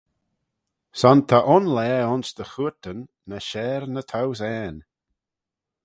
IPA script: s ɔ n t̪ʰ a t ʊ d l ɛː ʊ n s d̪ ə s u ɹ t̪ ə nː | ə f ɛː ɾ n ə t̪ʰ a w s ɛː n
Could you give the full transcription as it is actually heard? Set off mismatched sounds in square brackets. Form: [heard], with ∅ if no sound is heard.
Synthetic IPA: s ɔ n t̪ʰ a [ʔ] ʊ [n] l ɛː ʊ n s d̪ ə [x] u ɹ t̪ ə nː | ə [ʃ] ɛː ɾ n ə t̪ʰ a w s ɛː n